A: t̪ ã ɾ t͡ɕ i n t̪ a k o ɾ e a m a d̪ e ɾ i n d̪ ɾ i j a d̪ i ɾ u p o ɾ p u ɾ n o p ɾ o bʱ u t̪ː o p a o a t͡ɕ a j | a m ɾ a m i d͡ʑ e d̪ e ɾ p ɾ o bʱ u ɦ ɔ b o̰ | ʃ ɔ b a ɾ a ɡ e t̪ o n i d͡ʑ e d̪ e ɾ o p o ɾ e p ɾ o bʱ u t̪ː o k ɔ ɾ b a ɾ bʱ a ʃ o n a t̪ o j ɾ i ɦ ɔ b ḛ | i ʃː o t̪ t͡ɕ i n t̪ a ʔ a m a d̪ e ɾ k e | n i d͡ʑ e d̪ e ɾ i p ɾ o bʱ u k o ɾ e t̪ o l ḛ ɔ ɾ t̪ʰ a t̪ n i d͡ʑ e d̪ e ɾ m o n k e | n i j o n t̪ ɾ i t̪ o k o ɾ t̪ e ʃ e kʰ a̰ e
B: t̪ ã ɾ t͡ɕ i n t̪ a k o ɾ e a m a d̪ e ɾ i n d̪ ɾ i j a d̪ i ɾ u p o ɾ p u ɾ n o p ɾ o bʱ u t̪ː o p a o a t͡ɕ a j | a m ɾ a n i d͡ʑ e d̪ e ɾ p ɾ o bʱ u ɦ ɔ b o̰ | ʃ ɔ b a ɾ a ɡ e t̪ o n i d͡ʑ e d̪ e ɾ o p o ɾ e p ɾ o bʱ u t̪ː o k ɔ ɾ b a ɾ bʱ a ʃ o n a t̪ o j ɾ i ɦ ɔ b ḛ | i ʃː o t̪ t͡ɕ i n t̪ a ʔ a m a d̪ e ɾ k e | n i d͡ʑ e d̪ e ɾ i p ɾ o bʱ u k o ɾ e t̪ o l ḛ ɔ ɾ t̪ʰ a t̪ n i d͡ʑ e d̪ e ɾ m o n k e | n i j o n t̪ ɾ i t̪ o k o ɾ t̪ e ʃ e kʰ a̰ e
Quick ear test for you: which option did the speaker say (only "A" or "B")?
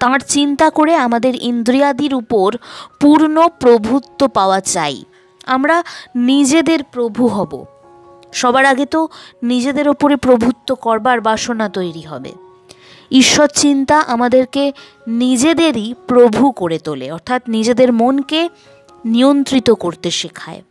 B